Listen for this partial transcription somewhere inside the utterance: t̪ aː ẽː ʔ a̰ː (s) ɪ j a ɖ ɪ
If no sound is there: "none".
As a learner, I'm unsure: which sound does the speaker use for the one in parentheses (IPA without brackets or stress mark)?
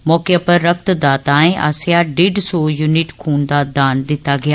s